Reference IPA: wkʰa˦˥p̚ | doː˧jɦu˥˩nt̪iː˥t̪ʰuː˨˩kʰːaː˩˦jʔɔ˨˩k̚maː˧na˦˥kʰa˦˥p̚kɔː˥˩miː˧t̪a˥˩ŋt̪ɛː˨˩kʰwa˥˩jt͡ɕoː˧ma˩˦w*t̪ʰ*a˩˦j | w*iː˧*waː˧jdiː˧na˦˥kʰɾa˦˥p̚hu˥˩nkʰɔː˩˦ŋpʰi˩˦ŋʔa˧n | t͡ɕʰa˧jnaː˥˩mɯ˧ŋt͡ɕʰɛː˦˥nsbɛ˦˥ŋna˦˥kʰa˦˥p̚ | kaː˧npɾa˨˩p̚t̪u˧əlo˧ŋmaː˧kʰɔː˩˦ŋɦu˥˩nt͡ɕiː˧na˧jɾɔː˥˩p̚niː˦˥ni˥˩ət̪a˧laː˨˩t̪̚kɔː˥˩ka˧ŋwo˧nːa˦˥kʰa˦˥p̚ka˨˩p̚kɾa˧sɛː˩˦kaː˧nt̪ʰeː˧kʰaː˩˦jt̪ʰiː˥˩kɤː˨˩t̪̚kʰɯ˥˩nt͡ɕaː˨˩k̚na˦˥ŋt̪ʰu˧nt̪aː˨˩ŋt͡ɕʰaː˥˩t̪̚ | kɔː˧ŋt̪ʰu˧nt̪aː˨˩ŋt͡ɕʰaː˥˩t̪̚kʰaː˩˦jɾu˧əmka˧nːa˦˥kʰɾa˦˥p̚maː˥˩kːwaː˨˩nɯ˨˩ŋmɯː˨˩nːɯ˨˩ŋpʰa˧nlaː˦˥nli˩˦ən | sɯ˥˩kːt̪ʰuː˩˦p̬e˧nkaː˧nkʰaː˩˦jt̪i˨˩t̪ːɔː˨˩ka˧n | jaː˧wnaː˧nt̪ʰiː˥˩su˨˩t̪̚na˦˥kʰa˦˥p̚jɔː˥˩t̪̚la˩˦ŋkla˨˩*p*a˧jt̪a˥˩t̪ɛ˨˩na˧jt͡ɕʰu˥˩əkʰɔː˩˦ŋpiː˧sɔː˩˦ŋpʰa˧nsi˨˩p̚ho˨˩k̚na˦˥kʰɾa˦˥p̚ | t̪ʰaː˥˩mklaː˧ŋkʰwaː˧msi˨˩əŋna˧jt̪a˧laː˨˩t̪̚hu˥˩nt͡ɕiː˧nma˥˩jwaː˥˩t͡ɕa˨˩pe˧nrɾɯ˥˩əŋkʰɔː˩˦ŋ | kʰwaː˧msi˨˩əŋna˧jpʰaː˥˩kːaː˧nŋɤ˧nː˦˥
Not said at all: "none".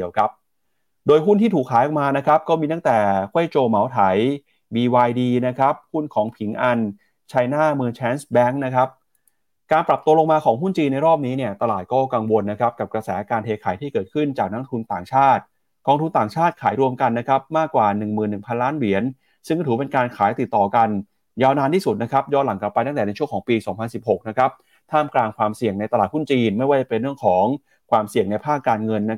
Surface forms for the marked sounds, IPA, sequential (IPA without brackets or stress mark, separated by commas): t̪ʰ, iː˧, p